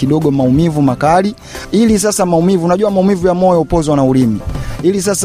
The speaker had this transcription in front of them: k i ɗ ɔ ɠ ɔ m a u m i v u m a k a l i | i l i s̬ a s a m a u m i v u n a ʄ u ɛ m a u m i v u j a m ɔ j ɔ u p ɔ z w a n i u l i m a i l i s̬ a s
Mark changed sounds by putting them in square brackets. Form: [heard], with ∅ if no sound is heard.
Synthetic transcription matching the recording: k i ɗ ɔ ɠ ɔ m a u m i v u m a k a l i | i l i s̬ a s a m a u m i v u n a ʄ u [a] m a u m i v u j a m ɔ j ɔ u p ɔ z w a n [a] u l i m [i] i l i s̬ a s